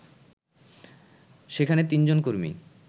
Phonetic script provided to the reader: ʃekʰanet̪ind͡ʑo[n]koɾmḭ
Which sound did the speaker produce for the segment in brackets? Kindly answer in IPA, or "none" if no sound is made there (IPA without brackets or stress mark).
n